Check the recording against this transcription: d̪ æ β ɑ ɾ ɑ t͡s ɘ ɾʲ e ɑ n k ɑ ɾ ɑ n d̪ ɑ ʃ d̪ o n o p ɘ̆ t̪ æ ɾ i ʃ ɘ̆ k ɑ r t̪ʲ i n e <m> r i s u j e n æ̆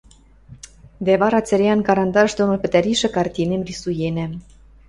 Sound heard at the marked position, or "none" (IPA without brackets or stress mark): m